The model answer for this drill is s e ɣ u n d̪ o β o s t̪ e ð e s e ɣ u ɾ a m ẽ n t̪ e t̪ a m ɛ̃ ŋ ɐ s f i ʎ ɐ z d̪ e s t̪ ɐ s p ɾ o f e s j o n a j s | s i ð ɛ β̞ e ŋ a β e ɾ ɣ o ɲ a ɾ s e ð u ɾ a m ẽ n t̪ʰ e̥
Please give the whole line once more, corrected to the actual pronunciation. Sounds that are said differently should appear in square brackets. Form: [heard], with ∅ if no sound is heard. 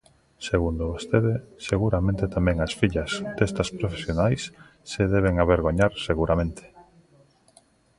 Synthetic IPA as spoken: s e ɣ u n d̪ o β o s t̪ e ð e s e ɣ u ɾ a m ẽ n t̪ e t̪ a m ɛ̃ ŋ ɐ s f i ʎ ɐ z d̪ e s t̪ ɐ s p ɾ o f e s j o n a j s | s [e] ð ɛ β̞ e ŋ a β e ɾ ɣ o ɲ a ɾ s e [ɣ] u ɾ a m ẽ n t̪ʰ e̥